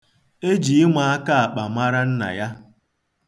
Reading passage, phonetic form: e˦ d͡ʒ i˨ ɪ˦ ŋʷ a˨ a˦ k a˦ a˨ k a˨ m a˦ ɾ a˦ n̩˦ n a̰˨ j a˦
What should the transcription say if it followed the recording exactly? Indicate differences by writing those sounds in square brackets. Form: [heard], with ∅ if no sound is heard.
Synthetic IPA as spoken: e˦ d͡ʒ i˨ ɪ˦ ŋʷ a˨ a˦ k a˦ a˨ [k͡p] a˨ m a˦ ɾ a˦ n̩˦ n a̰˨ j a˦